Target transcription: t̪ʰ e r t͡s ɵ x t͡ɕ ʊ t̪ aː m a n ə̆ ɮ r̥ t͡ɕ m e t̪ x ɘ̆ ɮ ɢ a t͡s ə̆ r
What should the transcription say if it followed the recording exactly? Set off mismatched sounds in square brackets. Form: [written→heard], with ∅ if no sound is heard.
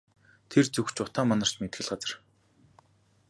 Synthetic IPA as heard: t̪ʰ e r t͡s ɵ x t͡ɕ ʊ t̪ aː m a n ə̆ [ɮ→∅] r̥ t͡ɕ m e t̪ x ɘ̆ ɮ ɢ a t͡s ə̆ r